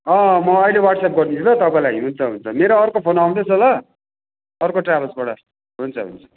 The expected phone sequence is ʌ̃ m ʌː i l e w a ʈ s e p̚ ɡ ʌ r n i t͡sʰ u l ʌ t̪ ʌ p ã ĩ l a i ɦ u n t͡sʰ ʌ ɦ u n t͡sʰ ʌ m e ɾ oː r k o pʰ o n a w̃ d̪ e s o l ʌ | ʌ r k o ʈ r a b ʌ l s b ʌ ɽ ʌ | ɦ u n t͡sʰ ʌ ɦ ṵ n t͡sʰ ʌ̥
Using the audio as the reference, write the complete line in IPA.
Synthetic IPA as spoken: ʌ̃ m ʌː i l e w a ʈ s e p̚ ɡ ʌ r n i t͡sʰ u l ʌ t̪ ʌ p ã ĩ l a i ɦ u n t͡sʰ ʌ ɦ u n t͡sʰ ʌ m e ɾ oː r k o pʰ o n a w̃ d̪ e s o l ʌ | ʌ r k o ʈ r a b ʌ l s b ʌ ɽ ʌ | ɦ u n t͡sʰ ʌ ɦ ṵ n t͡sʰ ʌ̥

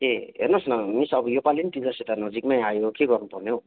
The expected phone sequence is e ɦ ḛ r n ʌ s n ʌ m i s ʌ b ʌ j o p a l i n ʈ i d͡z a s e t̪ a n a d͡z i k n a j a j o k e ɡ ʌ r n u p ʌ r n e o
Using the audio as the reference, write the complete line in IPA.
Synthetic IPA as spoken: e ɦ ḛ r n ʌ s n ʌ m i s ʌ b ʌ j o p a l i n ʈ i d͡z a s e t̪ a n ʌ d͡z i k m a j a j o k e ɡ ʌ r n u p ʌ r n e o

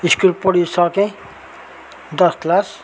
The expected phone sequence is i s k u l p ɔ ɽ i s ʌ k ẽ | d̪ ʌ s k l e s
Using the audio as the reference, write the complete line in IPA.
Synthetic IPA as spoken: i s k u l p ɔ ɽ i s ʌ k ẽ | d̪ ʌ s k l a s

